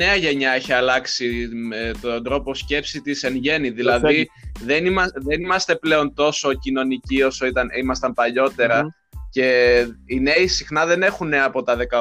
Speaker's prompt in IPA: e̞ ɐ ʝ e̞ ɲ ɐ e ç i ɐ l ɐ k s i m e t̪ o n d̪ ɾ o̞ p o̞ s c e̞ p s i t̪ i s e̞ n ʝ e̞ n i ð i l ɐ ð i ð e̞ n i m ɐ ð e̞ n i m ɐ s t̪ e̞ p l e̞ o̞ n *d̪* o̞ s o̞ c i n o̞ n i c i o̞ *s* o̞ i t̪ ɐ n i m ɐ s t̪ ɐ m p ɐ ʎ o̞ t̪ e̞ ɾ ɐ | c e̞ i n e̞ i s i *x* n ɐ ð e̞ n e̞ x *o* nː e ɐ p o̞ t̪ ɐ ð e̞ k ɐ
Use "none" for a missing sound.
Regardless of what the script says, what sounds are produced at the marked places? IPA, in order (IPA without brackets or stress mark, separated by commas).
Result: t̪, s, x, u